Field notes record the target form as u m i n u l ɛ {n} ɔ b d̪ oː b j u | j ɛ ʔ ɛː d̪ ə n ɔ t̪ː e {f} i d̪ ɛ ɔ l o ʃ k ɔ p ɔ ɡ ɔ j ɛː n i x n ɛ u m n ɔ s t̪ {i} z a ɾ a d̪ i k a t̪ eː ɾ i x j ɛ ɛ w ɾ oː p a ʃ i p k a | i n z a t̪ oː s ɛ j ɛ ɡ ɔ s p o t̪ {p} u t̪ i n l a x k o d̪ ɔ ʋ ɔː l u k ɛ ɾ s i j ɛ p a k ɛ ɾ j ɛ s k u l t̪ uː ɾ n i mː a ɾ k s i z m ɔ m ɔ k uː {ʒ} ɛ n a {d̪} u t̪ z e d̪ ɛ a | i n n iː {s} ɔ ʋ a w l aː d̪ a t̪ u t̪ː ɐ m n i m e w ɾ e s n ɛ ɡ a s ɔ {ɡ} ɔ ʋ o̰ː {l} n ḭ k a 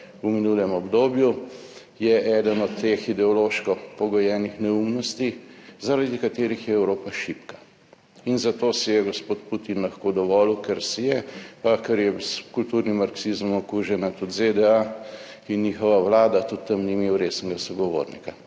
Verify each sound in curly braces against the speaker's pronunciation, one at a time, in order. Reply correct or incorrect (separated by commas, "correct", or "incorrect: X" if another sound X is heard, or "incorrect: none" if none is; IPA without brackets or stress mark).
incorrect: m, incorrect: x, correct, correct, correct, incorrect: t̪, incorrect: x, correct, incorrect: ɾ